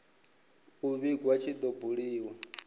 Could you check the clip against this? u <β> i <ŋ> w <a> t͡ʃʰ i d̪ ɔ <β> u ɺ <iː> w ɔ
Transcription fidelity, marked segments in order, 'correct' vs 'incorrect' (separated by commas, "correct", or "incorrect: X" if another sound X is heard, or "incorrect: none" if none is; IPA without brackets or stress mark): correct, incorrect: ɡ, correct, incorrect: b, correct